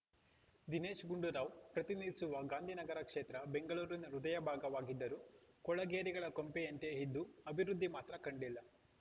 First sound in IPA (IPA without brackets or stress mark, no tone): d̪